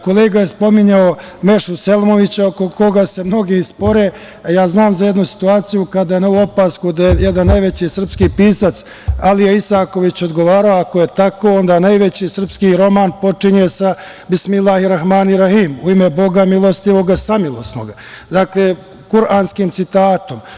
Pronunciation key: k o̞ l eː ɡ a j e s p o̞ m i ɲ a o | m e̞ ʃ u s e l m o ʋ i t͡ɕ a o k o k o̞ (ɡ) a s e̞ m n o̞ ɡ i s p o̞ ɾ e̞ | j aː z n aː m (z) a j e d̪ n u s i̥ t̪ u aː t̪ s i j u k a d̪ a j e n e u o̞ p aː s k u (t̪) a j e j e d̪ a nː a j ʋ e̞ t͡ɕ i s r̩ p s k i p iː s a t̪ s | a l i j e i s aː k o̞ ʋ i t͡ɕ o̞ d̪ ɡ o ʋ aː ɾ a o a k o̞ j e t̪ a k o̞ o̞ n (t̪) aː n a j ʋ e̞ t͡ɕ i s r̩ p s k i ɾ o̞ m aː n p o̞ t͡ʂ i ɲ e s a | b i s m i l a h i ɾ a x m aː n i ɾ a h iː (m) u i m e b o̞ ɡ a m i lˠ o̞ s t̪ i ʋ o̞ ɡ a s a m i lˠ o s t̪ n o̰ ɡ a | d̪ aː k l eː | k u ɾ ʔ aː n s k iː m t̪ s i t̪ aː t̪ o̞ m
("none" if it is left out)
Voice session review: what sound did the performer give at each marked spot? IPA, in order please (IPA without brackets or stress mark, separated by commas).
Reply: ɡ, z, d̪, d̪, m